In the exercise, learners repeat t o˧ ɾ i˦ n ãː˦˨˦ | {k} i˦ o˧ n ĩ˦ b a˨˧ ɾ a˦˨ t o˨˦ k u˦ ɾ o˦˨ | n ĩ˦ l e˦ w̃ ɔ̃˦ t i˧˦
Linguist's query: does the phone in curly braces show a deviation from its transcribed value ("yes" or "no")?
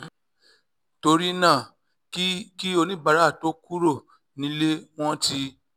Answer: no